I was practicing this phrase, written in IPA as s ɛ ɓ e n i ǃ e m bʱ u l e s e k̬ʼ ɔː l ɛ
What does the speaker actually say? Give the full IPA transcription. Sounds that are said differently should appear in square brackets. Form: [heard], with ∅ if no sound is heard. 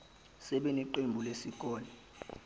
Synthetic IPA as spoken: s ɛ ɓ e n i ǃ e m bʱ u l e s [i] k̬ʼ ɔː l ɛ

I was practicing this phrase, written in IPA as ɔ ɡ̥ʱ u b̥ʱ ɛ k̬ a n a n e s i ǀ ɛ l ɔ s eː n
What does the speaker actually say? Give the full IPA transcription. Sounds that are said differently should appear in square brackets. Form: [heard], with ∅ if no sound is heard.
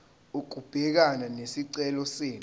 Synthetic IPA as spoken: [u] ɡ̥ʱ u b̥ʱ ɛ k̬ a n a n e s i ǀ ɛ l ɔ s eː n

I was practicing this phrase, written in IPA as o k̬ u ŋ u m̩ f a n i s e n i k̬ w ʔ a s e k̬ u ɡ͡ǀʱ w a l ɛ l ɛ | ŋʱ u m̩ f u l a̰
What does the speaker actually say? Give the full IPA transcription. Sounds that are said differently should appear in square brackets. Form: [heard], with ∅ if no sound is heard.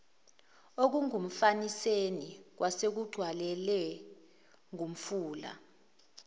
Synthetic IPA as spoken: o k̬ u ŋ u m̩ f a n i s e n i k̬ w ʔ a s e k̬ u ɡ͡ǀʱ w a l ɛ l ɛ | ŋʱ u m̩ f [uː] l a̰

